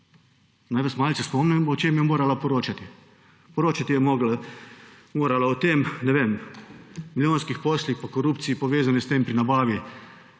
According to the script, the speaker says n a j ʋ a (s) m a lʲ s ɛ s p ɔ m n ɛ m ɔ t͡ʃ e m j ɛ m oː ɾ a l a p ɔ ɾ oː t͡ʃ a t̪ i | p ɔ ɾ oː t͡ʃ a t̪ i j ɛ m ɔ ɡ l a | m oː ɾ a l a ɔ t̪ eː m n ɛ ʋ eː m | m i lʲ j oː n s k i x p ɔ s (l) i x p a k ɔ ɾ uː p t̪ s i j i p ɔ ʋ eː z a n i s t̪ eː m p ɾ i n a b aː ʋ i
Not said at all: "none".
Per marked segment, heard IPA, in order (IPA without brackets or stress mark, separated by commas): s, l